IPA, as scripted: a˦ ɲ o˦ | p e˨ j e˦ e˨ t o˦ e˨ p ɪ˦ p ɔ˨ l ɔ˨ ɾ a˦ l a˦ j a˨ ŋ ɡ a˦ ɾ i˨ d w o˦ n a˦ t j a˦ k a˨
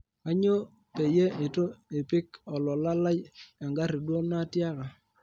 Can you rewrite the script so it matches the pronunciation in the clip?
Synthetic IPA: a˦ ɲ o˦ | p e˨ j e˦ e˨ t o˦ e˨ p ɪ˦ k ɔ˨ l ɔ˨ l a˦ l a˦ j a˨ ŋ ɡ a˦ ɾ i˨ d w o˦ n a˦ t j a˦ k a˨